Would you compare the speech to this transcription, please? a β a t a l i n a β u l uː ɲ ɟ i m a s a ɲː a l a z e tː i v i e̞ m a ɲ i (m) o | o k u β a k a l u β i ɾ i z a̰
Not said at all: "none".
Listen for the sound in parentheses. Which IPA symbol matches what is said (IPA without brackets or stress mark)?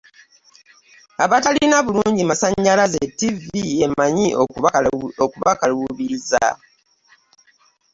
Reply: none